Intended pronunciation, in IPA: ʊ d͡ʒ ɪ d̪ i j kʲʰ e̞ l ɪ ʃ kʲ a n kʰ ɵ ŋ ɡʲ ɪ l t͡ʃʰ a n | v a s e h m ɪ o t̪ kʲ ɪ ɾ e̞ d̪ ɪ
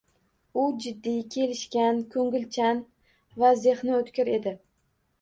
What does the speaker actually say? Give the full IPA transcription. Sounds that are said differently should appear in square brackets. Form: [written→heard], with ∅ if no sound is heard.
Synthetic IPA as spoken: ʊ d͡ʒ ɪ [d̪→d̪ː] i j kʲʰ e̞ l ɪ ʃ kʲ a n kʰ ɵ ŋ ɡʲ ɪ l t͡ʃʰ a n | v a [s→z] e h [m→n] ɪ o t̪ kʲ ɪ ɾ e̞ d̪ ɪ